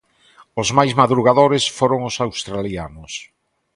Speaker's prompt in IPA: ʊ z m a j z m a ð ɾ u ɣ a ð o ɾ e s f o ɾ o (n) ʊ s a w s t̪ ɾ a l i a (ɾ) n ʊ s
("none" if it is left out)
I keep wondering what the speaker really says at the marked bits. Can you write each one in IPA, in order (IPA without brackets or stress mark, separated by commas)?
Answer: ŋ, none